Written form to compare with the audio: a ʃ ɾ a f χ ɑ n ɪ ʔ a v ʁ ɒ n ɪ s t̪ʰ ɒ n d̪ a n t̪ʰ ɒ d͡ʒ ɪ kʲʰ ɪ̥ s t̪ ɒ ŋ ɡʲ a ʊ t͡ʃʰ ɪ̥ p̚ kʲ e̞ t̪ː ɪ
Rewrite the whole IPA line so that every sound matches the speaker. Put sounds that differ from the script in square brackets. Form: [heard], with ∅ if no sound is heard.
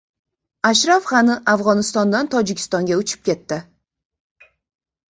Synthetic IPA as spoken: a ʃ ɾ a f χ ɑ n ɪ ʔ a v ʁ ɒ n ɪ s [t̪] ɒ n d̪ a n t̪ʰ ɒ d͡ʒ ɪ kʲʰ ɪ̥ s t̪ ɒ ŋ ɡʲ a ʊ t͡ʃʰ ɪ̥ p̚ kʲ e̞ t̪ː ɪ

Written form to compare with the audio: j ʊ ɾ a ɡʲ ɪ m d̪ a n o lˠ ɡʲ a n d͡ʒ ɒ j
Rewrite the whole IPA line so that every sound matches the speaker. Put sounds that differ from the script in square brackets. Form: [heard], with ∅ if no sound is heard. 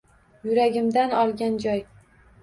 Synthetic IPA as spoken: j ʊ ɾ a ɡʲ ɪ m d̪ a n [ɒ] lˠ ɡʲ a n d͡ʒ ɒ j

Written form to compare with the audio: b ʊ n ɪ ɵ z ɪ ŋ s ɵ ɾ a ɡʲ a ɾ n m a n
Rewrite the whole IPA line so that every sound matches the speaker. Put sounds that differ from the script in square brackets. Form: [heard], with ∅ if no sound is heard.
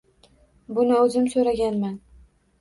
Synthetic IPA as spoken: b ʊ n ɪ ɵ z ɪ [m] s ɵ ɾ a ɡʲ a [∅] n m a n

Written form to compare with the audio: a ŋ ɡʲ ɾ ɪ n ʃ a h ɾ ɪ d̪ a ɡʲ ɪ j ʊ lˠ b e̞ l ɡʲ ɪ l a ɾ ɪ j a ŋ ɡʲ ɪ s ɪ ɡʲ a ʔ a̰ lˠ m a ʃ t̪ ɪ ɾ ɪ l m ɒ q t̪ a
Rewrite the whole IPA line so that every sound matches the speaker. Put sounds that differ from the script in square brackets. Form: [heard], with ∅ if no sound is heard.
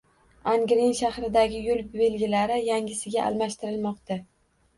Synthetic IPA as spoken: a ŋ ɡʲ ɾ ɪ n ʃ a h ɾ ɪ d̪ a ɡʲ ɪ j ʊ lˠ b e̞ l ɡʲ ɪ l a ɾ ɪ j a ŋ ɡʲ ɪ s ɪ ɡʲ a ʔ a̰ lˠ m a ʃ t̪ ɪ ɾ ɪ l m ɒ q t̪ a

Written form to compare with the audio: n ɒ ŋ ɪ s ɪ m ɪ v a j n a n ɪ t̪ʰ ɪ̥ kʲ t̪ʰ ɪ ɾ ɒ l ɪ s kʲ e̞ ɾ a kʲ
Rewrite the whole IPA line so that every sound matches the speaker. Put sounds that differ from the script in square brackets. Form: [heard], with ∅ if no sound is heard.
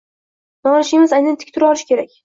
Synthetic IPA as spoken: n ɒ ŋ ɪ [ʃ] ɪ m ɪ [z] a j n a n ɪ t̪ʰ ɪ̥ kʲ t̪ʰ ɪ ɾ ɒ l ɪ [ʃ] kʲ e̞ ɾ a kʲ

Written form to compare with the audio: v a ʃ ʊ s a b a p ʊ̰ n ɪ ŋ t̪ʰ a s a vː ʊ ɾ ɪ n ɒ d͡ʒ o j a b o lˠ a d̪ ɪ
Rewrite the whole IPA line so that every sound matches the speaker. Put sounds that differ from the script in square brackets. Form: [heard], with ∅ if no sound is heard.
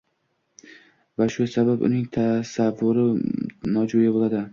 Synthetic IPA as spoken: v a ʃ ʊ s a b a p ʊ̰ n ɪ ŋ t̪ʰ a s a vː ʊ ɾ ɪ n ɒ d͡ʒ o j a b o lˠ a d̪ ɪ

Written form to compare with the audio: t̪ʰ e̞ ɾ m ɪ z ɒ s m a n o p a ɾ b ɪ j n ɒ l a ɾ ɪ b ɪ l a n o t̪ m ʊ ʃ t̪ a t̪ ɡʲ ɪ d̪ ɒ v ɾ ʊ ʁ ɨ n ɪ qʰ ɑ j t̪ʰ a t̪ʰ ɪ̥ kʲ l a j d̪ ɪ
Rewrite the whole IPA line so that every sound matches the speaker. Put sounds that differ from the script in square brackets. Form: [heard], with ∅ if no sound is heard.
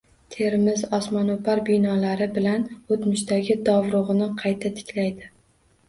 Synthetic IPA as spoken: t̪ʰ e̞ ɾ m ɪ z ɒ s m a n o p a ɾ b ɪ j n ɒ l a ɾ ɪ b ɪ l a n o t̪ m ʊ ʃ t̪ a [∅] ɡʲ ɪ d̪ ɒ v ɾ ʊ ʁ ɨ n ɪ qʰ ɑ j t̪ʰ a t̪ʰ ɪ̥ kʲ l a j d̪ ɪ

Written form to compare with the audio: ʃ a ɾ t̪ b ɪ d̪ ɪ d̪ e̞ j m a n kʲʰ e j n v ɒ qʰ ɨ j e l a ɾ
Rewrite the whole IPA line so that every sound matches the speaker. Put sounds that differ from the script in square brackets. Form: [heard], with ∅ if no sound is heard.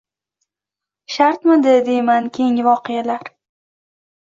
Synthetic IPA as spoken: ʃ a ɾ t̪ [m] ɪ d̪ ɪ d̪ e̞ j m a n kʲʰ e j [ŋ] v ɒ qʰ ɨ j [a] l a ɾ

